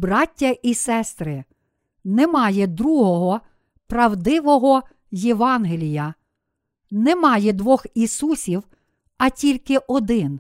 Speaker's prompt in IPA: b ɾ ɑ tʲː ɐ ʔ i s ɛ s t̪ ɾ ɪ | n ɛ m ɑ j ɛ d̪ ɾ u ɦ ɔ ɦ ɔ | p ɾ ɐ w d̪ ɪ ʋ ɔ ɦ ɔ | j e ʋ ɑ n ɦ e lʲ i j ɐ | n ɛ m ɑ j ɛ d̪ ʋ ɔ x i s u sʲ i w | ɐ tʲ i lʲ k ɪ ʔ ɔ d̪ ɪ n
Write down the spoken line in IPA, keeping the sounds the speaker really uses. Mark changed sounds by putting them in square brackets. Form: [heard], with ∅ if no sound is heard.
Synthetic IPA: b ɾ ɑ tʲː ɐ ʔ i s ɛ s t̪ ɾ ɪ | n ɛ m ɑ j ɛ d̪ ɾ u ɦ ɔ ɦ ɔ | p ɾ ɐ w d̪ ɪ ʋ ɔ ɦ ɔ | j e ʋ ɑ n ɦ e lʲ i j ɐ | n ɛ m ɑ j ɛ d̪ ʋ ɔ x i s u sʲ i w | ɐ tʲ i lʲ k ɪ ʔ ɔ d̪ ɪ n